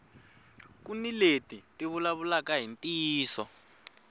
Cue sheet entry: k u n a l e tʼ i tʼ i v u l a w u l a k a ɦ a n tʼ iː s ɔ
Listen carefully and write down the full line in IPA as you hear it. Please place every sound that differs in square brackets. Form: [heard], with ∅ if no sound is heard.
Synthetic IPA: k u n [i] l e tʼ i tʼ i [β] u l a [β] u l a k a ɦ [i] n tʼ iː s ɔ